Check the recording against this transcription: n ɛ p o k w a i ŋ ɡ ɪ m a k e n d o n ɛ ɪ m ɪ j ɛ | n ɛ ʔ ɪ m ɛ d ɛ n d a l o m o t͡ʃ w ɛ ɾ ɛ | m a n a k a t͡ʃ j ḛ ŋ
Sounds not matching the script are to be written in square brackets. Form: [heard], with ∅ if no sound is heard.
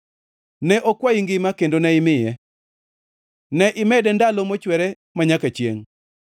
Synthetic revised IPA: n ɛ [ʔ] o k w a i ŋ ɡ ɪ m a k e n d o n ɛ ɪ m ɪ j ɛ | n ɛ ʔ ɪ m ɛ d ɛ n d a l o m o t͡ʃ w ɛ ɾ ɛ | m a [ɲ] a k a t͡ʃ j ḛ ŋ